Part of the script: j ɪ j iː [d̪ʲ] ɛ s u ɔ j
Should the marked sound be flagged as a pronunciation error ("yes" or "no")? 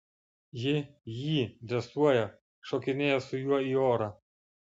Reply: no